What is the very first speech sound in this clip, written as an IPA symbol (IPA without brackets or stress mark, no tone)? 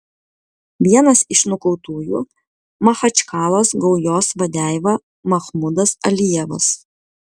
ʋʲ